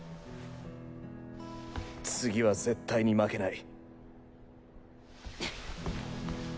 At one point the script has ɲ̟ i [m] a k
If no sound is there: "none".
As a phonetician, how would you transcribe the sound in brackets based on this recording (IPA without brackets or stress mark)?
m